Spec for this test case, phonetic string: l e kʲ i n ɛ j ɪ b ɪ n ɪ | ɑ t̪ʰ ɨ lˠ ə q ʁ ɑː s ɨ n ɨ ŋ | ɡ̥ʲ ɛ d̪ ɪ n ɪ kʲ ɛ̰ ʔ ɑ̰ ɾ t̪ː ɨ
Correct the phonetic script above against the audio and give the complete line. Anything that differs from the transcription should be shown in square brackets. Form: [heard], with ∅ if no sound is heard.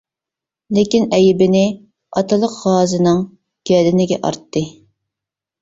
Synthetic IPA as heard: l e kʲ i n ɛ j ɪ b ɪ n ɪ | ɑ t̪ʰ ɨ lˠ ə q ʁ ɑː [z] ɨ n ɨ ŋ | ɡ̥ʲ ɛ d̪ ɪ n ɪ [ɡʲ] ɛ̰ ʔ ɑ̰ ɾ t̪ː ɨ